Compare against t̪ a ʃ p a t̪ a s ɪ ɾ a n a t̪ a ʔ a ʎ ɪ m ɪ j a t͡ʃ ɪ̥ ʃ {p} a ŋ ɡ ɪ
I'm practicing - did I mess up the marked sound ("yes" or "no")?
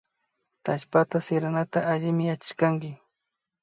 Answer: yes